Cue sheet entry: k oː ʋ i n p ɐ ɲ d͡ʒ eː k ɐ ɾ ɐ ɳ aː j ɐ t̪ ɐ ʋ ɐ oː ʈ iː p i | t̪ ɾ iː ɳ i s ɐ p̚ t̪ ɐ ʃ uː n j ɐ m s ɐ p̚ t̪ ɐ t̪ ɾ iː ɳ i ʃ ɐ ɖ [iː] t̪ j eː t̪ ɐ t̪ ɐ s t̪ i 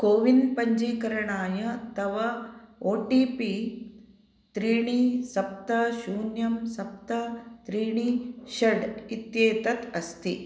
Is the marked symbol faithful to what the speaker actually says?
no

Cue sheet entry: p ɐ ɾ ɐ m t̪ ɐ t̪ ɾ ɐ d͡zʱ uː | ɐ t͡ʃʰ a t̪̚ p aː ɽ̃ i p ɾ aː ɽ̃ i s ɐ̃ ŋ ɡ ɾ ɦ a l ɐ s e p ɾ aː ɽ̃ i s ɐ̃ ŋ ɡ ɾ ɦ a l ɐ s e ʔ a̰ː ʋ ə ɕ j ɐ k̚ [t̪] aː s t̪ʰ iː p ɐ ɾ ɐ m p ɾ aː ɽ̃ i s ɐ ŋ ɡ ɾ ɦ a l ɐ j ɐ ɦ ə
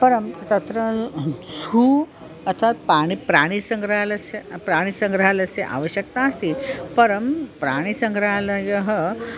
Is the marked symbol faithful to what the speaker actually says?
yes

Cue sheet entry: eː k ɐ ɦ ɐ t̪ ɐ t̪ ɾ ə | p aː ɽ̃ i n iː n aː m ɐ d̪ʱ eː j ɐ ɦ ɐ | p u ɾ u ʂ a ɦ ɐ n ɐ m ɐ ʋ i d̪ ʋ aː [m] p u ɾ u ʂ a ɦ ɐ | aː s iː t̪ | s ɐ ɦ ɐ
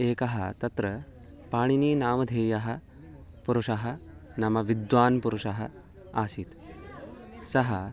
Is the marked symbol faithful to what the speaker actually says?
no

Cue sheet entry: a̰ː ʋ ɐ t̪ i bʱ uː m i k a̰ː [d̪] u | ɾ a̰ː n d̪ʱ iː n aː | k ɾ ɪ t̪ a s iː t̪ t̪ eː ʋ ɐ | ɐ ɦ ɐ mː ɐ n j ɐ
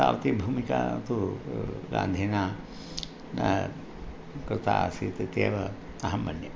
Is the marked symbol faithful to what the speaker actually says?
no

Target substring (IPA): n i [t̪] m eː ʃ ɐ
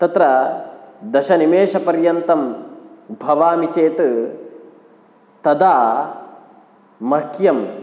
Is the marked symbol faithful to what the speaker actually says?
no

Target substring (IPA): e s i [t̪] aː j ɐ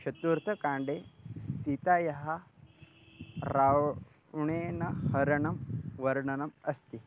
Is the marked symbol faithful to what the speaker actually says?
yes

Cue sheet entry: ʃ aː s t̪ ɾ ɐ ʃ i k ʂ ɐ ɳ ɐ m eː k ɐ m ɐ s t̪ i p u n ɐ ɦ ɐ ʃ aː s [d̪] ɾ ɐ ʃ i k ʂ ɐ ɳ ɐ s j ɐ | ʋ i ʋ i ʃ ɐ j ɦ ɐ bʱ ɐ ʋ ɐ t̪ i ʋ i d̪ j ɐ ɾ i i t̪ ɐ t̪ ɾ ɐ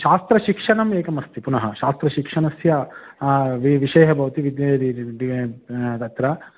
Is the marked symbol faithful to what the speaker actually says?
no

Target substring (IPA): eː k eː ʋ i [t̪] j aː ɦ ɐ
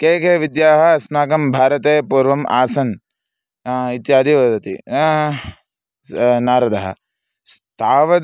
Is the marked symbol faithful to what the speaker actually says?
no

